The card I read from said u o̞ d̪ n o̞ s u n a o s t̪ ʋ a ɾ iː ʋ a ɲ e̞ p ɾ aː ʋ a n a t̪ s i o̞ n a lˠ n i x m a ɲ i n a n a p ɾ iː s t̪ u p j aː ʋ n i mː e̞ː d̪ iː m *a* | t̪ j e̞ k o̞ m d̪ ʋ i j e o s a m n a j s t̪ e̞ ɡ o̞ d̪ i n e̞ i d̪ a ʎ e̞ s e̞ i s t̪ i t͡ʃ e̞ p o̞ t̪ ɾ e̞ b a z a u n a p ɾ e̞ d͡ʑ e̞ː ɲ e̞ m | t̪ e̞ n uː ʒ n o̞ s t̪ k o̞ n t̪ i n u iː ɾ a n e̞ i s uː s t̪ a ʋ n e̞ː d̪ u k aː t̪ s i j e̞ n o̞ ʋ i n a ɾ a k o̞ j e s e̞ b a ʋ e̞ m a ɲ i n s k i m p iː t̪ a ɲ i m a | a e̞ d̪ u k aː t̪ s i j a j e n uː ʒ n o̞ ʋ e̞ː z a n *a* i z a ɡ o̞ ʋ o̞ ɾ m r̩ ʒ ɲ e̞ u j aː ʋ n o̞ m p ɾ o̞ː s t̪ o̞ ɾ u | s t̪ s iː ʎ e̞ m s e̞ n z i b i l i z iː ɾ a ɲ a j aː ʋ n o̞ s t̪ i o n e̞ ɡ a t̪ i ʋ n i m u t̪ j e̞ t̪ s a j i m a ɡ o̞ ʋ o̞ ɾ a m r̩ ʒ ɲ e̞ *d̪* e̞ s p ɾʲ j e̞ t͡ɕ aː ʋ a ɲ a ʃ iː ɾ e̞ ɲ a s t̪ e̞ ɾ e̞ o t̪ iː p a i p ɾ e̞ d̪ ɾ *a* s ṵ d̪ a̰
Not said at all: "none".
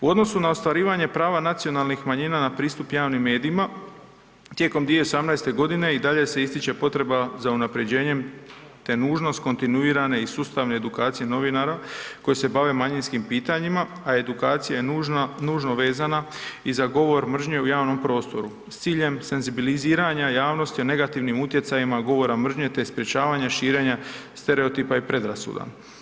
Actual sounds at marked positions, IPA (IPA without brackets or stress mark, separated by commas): a, a, t̪, a